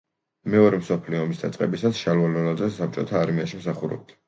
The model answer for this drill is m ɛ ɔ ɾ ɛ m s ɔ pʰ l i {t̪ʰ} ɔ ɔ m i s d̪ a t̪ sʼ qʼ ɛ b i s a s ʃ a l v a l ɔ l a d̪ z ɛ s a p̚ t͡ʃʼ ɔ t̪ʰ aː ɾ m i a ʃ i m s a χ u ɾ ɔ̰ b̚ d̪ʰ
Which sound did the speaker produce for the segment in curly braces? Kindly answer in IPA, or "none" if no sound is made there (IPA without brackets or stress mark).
none